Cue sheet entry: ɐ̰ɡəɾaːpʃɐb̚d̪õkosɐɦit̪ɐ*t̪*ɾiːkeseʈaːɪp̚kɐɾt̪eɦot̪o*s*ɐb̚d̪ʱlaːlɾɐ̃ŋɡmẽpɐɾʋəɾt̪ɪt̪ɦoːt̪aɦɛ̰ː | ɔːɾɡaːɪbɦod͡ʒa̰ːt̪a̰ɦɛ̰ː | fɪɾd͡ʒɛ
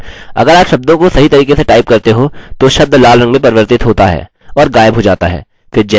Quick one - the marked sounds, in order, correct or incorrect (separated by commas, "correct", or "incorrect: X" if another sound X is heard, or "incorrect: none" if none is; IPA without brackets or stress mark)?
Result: incorrect: none, incorrect: ʃ